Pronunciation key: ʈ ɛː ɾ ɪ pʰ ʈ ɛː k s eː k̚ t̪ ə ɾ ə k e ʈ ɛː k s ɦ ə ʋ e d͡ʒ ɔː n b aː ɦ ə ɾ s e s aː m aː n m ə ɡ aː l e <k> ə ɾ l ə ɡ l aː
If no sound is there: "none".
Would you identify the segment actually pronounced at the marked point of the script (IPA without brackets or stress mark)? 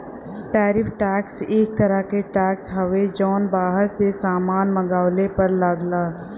p